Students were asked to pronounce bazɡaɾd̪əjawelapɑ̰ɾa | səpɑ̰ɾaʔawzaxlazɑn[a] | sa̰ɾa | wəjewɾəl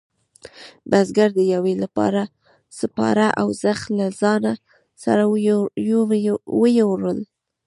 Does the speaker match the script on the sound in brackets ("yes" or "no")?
yes